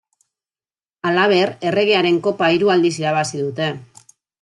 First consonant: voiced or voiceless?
voiced